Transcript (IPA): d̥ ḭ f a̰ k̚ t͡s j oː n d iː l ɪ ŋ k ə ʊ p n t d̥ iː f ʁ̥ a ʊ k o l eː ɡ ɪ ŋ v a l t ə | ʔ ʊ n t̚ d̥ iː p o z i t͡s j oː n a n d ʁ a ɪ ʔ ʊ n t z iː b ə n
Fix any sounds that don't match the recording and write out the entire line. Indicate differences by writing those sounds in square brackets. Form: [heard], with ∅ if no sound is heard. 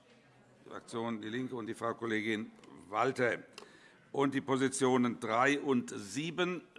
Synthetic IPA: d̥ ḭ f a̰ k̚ t͡s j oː n d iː l ɪ ŋ k ə ʊ [∅] n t d̥ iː f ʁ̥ a ʊ k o l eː ɡ ɪ [n] v a l t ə | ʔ ʊ n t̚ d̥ iː p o z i t͡s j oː n [ə] n d ʁ a ɪ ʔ ʊ n t z iː b ə n